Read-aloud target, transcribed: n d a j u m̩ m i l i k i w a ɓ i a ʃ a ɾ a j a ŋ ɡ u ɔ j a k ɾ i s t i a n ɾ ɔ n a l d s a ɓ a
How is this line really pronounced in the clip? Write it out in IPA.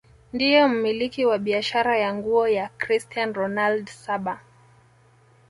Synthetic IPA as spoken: n d i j ɔ m̩ m i l i k i w a ɓ i a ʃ a ɾ a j a ŋ ɡ u ɔ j a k ɾ i s t i a n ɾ ɔ n a l d s a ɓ a